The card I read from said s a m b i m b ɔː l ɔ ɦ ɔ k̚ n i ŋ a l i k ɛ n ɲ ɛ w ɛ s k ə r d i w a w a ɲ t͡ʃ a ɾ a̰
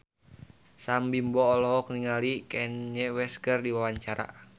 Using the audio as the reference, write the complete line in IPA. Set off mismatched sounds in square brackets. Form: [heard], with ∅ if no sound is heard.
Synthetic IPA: s a m b i m b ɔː l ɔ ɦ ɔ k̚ n i ŋ a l i k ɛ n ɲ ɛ w ɛ s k ə r d i w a w a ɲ t͡ʃ a ɾ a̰